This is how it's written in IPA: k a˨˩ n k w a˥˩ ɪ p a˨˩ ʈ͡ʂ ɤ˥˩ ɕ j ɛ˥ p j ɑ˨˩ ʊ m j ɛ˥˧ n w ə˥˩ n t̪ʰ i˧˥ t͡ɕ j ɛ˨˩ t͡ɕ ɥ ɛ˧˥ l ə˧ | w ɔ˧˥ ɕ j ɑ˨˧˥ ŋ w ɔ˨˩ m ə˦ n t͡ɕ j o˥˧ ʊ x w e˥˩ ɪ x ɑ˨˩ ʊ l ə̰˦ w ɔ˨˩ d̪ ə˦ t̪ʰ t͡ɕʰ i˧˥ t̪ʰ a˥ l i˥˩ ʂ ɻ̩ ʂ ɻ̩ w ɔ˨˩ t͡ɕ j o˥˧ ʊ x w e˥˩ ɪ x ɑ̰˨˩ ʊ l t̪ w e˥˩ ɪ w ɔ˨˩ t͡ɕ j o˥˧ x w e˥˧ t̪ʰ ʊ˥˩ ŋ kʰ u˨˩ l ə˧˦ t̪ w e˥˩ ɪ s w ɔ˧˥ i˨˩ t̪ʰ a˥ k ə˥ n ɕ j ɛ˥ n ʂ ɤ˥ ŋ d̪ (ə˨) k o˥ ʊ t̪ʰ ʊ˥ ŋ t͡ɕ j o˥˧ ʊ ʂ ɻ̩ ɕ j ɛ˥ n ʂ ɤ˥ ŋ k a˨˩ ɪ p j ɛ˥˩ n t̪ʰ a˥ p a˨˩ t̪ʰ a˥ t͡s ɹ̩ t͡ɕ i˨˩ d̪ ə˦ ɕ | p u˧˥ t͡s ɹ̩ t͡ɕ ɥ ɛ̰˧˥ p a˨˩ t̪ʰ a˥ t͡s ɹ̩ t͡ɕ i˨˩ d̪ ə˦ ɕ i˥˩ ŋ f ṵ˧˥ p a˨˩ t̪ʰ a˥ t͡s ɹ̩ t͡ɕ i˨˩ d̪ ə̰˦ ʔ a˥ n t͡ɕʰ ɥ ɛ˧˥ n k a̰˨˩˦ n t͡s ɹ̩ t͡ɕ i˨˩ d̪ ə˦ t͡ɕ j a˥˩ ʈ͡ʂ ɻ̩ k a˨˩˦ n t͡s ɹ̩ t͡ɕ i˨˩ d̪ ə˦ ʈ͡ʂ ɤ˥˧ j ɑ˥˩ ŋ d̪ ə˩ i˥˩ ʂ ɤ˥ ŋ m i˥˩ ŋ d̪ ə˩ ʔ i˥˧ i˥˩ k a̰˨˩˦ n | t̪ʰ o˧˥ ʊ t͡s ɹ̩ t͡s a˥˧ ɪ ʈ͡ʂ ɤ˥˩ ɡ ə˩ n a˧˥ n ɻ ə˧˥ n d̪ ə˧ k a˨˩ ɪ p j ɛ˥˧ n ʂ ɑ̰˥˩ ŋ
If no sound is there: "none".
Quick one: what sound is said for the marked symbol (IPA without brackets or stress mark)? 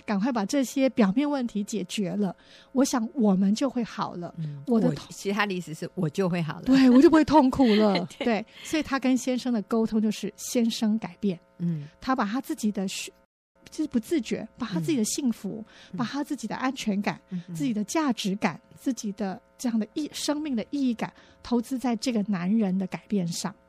ə˨